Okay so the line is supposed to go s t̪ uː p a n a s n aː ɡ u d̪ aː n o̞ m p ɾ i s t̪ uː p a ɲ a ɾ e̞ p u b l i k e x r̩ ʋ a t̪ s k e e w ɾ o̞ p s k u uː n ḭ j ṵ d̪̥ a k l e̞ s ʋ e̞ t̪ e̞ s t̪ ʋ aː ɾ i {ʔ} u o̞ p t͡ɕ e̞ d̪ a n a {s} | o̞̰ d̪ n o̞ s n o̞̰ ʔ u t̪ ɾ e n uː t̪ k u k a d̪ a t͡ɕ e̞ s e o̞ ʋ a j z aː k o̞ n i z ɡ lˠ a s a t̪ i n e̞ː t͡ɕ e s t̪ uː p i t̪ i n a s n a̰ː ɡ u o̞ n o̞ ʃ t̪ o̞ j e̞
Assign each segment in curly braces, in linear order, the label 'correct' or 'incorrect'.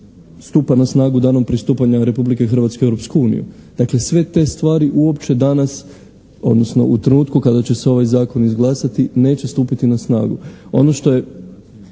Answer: correct, correct

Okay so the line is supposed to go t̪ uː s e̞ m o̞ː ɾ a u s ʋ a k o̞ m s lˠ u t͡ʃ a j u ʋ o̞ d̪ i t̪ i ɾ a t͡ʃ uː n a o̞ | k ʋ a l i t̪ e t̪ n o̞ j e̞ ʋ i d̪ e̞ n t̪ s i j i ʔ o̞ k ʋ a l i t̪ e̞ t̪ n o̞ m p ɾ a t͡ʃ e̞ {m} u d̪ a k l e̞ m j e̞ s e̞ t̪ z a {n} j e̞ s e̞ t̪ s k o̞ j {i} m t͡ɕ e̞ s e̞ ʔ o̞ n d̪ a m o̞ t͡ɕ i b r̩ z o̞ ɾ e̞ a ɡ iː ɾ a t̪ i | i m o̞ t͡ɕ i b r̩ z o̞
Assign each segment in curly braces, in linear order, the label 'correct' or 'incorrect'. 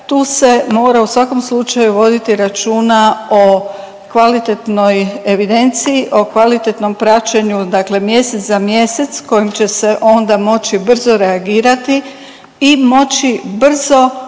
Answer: incorrect: ɲ, incorrect: m, correct

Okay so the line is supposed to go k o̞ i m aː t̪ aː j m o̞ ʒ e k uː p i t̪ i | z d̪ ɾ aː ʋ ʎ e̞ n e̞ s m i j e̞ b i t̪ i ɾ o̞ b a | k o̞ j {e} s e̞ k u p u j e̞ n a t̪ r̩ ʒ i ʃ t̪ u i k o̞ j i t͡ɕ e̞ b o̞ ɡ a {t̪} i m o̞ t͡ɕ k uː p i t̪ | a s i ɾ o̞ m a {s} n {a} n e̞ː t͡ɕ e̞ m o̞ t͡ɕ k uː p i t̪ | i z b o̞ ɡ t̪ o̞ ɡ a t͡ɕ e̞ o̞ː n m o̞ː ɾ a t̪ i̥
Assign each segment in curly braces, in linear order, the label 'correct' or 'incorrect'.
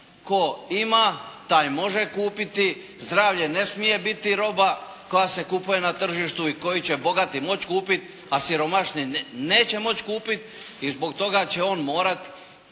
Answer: incorrect: a, correct, incorrect: ʃ, incorrect: i

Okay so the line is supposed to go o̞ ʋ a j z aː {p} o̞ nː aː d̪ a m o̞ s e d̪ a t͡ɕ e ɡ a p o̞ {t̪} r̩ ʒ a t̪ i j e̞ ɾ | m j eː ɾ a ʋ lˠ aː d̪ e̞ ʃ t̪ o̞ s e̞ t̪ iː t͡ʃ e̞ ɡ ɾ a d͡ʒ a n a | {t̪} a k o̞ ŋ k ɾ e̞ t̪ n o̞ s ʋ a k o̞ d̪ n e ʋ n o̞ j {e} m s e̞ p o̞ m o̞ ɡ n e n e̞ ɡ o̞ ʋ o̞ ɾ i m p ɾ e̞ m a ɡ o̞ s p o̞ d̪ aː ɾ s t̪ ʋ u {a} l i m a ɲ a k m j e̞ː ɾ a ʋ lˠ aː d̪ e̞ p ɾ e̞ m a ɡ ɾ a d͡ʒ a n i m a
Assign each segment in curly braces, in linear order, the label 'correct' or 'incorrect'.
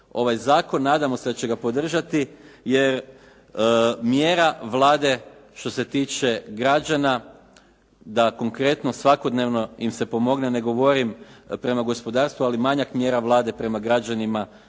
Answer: incorrect: k, incorrect: d̪, incorrect: d̪, incorrect: i, correct

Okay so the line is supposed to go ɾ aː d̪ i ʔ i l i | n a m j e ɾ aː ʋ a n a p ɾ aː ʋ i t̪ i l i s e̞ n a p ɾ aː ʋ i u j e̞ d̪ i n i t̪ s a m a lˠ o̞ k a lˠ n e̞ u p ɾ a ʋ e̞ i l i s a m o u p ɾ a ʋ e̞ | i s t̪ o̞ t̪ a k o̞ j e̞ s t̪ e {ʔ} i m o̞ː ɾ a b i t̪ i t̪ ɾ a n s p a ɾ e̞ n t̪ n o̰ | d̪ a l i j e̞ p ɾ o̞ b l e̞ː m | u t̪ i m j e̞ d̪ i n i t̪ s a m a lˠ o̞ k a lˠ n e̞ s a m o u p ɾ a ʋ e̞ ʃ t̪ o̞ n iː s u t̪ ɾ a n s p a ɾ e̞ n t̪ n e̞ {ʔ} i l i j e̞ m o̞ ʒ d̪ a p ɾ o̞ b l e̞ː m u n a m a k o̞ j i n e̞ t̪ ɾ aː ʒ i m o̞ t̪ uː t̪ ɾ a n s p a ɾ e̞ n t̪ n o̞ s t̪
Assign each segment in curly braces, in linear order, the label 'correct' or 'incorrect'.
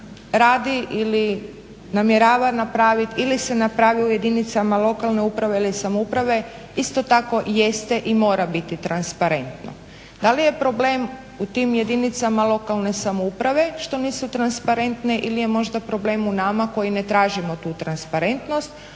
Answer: correct, correct

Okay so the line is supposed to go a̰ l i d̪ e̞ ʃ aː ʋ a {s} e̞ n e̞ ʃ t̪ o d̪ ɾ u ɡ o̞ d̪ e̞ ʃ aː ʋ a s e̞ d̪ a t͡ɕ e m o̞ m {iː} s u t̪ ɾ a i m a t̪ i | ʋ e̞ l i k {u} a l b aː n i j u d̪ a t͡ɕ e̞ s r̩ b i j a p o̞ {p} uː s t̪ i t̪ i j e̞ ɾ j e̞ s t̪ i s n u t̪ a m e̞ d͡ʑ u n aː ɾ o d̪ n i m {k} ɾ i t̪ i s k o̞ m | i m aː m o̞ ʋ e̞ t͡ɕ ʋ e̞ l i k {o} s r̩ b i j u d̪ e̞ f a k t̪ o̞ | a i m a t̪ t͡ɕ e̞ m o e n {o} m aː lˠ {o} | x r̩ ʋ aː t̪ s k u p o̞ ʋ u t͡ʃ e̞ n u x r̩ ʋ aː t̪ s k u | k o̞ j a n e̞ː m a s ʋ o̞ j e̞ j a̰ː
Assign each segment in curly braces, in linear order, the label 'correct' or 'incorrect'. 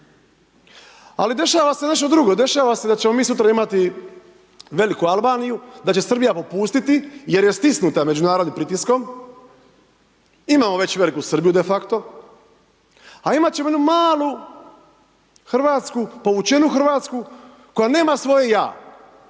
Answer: correct, correct, correct, correct, incorrect: p, incorrect: u, incorrect: u, incorrect: u

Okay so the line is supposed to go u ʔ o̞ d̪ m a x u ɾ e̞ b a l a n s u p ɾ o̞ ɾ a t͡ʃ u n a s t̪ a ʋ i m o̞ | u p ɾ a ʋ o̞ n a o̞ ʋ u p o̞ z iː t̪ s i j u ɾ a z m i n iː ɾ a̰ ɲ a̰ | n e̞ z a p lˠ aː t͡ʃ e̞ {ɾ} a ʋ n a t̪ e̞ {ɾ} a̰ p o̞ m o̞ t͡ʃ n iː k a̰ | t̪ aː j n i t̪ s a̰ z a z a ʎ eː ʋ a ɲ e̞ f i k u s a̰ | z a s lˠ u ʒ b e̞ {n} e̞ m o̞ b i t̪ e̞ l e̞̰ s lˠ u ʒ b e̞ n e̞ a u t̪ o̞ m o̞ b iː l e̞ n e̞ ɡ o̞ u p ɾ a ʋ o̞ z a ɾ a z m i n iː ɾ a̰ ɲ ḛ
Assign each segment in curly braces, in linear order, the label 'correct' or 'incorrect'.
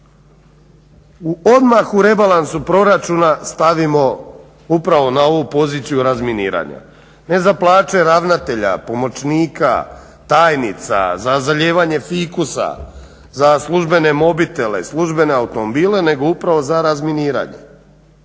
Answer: correct, incorrect: ʎ, correct

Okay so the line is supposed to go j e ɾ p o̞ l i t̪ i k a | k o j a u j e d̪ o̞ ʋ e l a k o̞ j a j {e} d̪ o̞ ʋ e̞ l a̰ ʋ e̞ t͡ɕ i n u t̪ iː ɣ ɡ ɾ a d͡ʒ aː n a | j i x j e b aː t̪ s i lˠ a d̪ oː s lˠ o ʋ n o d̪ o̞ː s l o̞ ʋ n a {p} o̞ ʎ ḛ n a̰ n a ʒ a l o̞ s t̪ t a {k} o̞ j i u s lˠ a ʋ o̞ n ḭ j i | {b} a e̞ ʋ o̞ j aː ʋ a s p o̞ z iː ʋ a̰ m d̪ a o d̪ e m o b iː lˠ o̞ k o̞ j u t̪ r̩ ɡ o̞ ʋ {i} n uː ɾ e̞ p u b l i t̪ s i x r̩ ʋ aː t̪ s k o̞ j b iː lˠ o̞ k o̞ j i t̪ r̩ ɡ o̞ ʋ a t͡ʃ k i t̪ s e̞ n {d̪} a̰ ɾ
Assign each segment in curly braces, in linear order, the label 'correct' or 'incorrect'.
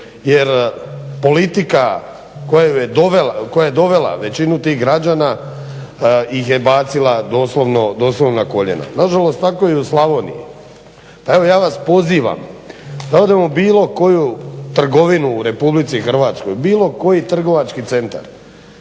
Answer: correct, incorrect: k, correct, incorrect: p, correct, incorrect: t̪

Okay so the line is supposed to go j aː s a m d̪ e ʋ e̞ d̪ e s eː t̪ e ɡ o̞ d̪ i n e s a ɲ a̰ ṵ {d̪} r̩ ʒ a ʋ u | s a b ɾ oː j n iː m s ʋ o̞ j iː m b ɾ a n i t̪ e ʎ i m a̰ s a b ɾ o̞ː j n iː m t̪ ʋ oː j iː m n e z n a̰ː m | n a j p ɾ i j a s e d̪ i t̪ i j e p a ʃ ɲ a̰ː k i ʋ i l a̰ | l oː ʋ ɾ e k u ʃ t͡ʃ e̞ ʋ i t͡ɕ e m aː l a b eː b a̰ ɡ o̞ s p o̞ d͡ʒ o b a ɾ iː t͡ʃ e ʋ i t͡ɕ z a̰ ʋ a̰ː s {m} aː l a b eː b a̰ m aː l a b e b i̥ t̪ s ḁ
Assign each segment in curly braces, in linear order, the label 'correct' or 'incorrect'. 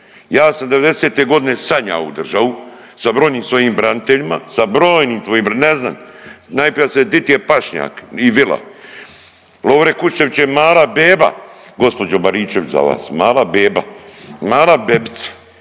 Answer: correct, correct

